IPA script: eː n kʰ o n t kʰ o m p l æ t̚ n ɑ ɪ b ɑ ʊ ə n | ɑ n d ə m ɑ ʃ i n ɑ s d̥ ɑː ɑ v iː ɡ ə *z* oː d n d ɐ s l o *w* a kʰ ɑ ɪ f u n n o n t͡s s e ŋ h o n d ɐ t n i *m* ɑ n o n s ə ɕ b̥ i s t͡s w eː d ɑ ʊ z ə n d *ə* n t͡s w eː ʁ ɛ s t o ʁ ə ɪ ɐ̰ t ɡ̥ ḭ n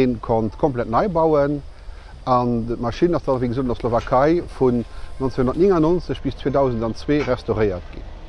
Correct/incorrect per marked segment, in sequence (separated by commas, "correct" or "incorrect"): correct, incorrect, incorrect, incorrect